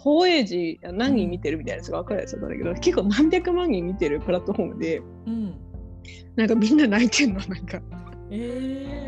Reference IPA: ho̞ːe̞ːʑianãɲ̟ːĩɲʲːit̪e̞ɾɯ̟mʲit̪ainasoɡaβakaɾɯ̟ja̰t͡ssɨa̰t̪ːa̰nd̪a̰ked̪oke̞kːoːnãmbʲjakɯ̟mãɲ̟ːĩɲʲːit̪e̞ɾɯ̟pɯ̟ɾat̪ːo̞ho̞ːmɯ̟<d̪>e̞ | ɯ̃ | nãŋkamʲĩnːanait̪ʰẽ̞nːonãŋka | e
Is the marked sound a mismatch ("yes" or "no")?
no